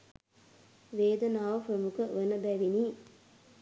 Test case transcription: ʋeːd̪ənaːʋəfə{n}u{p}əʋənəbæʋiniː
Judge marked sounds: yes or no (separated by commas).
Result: no, no